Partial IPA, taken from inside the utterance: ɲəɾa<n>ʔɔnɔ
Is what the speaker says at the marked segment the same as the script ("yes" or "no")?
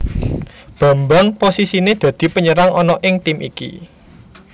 no